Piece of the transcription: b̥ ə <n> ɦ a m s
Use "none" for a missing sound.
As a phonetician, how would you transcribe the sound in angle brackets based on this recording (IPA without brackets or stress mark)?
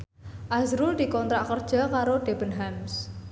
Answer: n